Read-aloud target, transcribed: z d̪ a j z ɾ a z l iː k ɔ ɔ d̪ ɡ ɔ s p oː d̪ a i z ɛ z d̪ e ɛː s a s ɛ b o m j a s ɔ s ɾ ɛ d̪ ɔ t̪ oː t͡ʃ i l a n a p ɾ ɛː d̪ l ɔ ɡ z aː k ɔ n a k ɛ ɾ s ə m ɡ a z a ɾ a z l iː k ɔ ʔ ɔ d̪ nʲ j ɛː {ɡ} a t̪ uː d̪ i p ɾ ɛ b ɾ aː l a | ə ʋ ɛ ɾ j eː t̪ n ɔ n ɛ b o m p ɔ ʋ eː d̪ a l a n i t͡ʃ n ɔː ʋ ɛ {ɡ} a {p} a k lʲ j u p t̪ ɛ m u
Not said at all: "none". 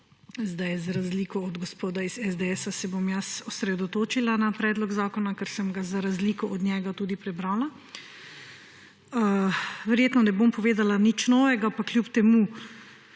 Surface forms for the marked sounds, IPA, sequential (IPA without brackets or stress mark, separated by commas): ɡ, ɡ, p